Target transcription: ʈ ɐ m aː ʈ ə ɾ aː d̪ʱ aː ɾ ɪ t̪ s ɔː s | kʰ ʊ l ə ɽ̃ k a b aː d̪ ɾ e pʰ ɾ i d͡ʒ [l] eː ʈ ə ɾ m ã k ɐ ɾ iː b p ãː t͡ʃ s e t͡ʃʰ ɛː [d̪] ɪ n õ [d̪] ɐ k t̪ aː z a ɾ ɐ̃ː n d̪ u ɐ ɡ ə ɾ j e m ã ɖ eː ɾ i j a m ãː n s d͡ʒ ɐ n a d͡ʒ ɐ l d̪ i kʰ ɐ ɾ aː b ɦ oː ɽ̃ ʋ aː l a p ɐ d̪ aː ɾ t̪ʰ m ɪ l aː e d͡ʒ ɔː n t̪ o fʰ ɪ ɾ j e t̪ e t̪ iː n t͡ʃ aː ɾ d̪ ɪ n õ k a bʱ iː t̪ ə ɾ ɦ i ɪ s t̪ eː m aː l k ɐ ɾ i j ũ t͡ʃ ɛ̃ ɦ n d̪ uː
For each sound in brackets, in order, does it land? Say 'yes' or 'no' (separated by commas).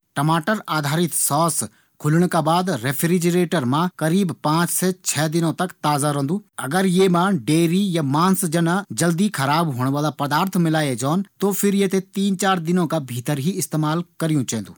no, yes, no